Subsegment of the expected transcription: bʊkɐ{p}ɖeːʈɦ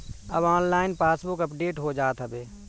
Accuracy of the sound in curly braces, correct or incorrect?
correct